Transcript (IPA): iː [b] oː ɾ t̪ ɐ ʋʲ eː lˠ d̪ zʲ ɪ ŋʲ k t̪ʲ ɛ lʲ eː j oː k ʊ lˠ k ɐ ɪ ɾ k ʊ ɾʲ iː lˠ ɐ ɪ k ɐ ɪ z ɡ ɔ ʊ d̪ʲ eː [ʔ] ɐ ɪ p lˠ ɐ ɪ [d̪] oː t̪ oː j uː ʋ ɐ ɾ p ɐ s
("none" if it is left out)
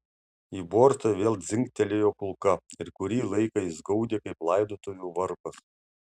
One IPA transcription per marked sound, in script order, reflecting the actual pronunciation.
b, k, d̪

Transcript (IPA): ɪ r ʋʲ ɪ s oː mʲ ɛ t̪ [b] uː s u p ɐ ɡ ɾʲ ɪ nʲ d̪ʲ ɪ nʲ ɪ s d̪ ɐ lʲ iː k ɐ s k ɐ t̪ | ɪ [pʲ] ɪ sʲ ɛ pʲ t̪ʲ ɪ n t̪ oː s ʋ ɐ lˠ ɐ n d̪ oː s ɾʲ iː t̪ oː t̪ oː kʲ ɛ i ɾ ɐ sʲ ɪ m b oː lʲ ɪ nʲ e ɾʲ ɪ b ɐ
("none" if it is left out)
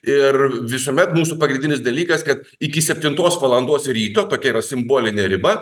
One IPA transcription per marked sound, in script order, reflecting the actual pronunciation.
m, kʲ

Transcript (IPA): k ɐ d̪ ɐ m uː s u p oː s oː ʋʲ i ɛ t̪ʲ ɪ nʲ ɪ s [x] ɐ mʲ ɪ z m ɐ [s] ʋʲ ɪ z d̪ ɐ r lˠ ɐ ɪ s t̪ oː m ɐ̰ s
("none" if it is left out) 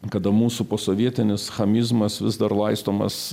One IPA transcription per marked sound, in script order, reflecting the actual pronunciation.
x, s

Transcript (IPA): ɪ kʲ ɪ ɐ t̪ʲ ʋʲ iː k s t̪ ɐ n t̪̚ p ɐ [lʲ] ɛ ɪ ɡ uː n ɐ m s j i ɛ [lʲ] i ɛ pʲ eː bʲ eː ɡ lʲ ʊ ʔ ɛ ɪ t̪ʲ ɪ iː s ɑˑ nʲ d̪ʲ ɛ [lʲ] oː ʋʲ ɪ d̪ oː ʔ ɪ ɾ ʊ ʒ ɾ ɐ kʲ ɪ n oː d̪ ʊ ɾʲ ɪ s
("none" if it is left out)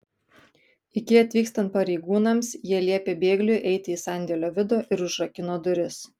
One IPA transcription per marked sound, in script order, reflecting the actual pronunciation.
ɾʲ, lʲ, lʲ

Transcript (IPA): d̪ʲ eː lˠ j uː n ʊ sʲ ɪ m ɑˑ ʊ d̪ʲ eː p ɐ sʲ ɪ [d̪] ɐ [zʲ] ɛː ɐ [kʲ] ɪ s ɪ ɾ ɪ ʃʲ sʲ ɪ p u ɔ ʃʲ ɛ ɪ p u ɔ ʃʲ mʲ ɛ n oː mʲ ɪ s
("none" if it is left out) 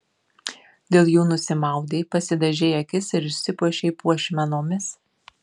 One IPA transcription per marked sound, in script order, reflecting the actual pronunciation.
d̪, ʒʲ, kʲ

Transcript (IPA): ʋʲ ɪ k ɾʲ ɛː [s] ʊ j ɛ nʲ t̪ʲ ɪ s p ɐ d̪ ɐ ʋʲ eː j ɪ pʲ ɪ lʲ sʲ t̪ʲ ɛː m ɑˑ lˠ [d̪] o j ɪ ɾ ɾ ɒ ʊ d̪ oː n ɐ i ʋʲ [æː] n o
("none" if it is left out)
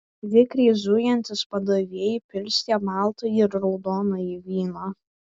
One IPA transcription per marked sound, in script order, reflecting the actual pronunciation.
z, t̪, iː

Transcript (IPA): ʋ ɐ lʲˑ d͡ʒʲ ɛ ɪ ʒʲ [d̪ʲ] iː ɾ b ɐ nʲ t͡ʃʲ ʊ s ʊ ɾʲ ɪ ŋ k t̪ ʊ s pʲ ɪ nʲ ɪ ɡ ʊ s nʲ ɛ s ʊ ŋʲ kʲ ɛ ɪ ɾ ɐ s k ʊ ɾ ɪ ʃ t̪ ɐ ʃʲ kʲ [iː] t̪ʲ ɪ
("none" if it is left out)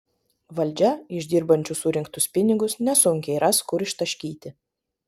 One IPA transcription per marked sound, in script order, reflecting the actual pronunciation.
d̪ʲ, iː

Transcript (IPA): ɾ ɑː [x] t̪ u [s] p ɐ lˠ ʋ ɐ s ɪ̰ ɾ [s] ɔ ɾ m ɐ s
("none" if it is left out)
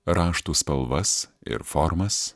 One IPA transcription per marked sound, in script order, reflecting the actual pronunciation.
ʃ, s, f

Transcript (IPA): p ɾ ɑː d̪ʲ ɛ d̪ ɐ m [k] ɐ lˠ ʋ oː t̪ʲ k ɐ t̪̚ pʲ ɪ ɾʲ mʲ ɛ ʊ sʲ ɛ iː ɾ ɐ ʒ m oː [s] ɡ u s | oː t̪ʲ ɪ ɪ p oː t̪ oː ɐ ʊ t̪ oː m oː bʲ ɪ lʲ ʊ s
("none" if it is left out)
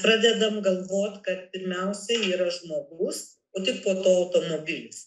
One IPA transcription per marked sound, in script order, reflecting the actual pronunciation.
ɡ, none

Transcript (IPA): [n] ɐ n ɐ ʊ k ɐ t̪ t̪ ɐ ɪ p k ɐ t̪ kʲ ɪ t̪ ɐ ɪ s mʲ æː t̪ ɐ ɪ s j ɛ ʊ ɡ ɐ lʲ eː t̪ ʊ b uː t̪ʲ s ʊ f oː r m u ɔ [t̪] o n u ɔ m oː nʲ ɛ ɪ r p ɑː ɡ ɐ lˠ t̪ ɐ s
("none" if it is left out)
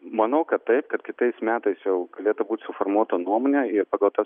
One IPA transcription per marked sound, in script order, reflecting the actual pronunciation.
m, t̪

